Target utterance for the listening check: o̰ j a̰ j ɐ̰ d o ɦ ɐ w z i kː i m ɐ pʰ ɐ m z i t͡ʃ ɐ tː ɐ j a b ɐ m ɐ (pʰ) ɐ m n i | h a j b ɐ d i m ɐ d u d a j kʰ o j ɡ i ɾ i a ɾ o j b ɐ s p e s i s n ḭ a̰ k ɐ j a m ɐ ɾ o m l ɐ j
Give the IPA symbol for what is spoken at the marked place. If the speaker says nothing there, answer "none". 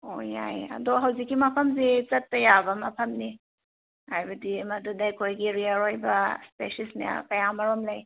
pʰ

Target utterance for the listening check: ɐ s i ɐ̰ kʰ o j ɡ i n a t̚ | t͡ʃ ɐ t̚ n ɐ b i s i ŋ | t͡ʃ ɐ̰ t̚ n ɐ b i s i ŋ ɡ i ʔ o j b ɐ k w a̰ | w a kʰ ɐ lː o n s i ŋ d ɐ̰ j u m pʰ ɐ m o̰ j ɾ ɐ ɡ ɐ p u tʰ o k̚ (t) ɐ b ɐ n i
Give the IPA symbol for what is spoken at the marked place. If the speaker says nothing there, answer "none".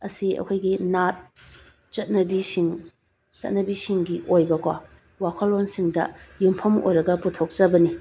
t͡ʃ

